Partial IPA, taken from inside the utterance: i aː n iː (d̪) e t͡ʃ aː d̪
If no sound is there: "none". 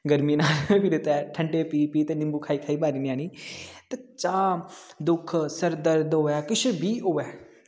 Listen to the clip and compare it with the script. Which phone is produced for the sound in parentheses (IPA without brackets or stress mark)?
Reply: t̪